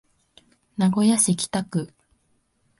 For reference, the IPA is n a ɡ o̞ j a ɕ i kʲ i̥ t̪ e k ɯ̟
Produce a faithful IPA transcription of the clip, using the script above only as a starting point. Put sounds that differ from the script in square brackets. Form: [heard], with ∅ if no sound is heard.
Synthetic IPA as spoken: n a ɡ o̞ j a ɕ i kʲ i̥ t̪ [a] k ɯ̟